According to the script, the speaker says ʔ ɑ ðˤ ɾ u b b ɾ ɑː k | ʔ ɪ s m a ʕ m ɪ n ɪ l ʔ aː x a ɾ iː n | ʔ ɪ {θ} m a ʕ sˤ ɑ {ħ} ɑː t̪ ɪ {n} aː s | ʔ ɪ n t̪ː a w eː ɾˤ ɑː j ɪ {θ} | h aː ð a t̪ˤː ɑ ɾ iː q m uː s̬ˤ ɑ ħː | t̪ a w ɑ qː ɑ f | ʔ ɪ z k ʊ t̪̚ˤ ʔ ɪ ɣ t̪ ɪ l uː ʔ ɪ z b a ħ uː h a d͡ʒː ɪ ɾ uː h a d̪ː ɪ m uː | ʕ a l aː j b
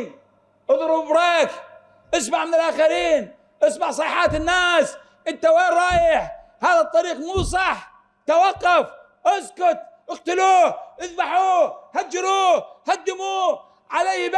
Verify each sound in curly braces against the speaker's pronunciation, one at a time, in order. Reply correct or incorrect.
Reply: incorrect, correct, incorrect, incorrect

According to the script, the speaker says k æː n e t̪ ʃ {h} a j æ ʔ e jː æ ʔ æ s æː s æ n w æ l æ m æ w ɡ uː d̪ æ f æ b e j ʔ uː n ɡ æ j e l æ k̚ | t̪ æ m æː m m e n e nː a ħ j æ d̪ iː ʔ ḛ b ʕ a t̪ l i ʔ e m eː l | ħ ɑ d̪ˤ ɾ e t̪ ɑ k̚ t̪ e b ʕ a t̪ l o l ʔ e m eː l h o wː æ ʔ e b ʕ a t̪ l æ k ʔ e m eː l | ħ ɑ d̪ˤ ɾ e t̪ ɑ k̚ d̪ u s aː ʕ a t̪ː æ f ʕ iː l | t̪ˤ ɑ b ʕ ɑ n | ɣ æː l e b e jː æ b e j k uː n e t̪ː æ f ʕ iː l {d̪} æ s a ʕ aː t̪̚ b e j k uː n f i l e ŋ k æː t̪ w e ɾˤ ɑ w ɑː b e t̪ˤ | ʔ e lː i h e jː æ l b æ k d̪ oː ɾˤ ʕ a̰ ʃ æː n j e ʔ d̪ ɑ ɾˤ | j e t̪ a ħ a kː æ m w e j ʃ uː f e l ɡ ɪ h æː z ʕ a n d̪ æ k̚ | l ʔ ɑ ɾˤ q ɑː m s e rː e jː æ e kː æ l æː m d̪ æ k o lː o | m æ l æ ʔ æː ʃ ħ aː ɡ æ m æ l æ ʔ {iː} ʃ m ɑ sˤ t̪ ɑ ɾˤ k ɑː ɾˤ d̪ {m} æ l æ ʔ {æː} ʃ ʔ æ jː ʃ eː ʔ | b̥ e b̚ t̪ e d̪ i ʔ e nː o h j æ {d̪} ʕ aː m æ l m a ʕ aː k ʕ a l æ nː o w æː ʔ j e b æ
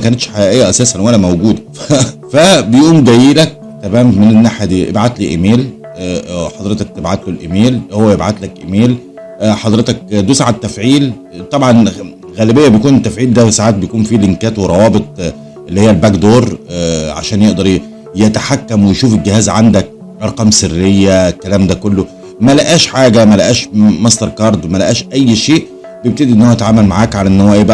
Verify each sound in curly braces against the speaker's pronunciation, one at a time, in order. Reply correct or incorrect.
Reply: incorrect, correct, incorrect, correct, correct, incorrect

